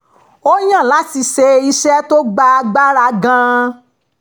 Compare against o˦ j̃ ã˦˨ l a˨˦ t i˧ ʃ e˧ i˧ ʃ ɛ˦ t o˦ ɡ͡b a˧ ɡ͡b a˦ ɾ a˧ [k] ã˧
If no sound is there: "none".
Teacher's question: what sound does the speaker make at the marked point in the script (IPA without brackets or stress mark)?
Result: ɡ